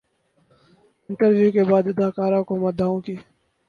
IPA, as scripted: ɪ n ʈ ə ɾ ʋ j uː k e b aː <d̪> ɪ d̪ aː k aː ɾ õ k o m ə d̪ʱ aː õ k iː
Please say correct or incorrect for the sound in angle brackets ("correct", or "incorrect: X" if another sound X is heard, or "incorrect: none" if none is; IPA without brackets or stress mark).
correct